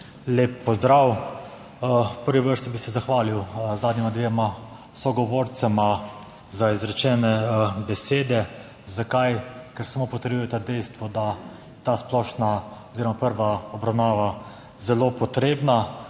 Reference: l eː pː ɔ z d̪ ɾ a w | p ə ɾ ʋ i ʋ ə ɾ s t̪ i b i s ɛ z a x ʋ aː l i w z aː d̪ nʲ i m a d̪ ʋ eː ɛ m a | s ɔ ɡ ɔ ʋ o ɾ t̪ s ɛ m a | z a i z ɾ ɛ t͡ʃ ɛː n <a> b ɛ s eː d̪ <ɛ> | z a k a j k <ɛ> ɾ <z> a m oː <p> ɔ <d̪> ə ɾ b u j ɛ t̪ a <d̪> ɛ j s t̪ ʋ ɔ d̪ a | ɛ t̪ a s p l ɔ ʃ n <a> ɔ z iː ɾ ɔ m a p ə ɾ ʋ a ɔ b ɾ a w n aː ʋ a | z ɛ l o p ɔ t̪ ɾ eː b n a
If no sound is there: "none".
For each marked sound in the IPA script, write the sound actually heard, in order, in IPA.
ɛ, ɛ, ɛ, s, p, t̪, d̪, a

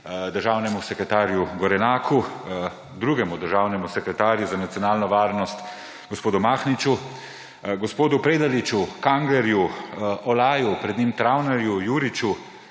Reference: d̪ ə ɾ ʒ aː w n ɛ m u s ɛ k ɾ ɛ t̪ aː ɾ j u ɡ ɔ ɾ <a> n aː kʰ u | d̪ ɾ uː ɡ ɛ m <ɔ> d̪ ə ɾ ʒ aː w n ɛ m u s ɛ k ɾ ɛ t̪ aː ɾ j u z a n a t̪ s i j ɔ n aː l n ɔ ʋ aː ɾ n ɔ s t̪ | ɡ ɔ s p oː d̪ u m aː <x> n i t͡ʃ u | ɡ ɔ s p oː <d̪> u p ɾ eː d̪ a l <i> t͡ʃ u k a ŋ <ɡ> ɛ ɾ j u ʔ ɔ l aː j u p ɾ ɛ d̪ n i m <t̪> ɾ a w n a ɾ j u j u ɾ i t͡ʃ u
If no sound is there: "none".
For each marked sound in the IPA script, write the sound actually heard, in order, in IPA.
ɛ, u, x, d̪, i, ɡ, t̪

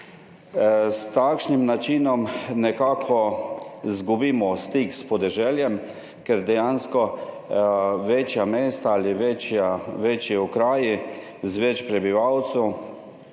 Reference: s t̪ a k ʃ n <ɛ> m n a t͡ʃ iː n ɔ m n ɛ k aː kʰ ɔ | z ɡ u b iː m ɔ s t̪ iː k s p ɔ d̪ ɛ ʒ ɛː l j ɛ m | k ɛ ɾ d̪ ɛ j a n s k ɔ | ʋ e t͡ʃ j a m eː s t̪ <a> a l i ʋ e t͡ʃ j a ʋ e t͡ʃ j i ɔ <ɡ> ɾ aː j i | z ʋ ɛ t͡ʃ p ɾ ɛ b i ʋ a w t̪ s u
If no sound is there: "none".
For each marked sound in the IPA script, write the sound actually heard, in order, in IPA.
i, a, k

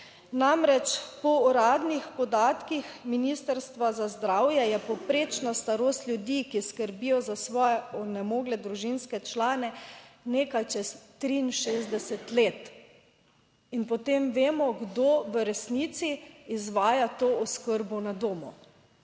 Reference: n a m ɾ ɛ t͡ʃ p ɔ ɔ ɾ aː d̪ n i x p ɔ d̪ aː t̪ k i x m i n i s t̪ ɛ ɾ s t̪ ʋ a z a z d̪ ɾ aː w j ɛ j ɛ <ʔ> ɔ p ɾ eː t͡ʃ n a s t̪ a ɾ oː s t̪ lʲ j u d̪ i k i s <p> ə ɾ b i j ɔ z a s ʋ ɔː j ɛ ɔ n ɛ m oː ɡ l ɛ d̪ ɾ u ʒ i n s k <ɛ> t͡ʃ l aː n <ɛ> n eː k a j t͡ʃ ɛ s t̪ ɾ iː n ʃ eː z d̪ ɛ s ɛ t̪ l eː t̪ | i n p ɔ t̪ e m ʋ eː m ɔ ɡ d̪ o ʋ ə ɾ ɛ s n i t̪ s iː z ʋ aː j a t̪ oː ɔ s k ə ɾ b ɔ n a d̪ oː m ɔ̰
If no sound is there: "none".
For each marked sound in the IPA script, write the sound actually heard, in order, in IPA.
p, k, ɛ, ɛ

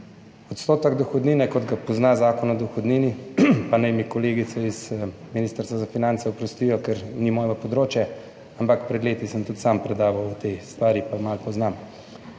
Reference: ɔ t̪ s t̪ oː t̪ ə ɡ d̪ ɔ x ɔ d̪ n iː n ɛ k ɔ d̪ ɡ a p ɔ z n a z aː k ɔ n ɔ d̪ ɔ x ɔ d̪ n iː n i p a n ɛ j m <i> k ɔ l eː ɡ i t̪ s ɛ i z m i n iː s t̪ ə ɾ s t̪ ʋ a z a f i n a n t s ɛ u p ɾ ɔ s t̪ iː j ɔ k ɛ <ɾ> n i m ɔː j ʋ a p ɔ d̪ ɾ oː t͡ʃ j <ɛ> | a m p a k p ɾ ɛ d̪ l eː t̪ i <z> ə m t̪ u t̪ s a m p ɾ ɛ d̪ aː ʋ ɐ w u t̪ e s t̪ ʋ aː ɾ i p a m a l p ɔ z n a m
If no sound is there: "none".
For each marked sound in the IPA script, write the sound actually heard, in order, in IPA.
i, ɾ, ɛ, s

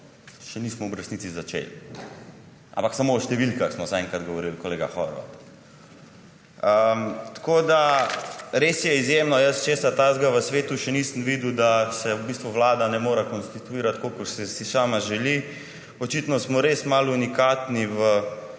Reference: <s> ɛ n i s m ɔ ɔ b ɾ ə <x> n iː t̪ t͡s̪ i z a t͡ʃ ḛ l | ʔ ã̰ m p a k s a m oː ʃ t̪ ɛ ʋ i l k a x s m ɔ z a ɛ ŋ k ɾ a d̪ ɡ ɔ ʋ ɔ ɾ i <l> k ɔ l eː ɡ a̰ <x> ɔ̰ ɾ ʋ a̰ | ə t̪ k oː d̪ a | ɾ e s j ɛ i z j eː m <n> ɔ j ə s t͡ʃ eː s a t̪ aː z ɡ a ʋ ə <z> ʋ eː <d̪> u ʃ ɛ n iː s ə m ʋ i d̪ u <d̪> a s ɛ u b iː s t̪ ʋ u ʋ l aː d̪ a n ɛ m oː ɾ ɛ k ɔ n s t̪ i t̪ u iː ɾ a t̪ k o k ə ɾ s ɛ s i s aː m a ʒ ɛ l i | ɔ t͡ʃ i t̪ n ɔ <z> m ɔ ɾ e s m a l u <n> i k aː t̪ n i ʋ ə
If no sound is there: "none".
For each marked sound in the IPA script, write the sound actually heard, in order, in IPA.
ʃ, s, l, x, n, s, t̪, d̪, s, n

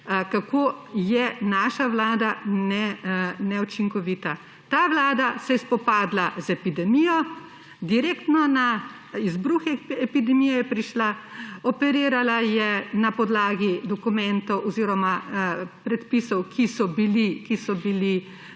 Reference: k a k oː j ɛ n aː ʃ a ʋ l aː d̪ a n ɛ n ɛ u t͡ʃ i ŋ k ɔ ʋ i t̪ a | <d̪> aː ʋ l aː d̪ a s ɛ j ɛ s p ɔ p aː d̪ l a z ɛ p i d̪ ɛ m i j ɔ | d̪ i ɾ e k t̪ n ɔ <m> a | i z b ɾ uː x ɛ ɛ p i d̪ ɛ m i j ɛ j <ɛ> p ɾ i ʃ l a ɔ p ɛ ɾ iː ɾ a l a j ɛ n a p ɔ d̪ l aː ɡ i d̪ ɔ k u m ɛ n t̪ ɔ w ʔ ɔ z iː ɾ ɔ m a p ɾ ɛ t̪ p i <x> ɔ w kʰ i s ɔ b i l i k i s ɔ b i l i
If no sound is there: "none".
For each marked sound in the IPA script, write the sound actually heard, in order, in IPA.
t̪, n, ɛ, s

